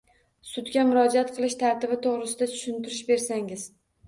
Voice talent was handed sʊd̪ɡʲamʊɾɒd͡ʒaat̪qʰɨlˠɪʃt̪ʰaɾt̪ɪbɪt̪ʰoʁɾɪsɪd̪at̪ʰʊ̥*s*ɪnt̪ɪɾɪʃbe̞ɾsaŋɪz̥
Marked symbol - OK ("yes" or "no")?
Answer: no